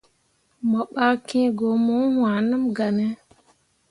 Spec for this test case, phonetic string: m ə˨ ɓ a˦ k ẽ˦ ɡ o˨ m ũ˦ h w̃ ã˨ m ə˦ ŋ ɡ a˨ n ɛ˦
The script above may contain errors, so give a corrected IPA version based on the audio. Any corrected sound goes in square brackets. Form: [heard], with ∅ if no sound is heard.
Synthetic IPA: m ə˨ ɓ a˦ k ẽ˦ ɡ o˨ m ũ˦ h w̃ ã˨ [n] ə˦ [m] ɡ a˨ n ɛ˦